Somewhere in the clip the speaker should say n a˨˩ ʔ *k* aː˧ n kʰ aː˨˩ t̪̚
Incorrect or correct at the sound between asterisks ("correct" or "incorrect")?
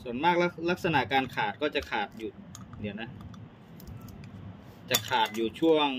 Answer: correct